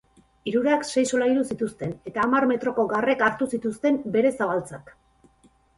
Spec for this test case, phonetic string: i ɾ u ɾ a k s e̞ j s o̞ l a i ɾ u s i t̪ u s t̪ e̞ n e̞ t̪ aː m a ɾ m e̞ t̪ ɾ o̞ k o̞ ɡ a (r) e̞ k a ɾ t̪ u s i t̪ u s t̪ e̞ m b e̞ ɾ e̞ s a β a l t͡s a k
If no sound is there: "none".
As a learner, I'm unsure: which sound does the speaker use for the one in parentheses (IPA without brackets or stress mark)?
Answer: r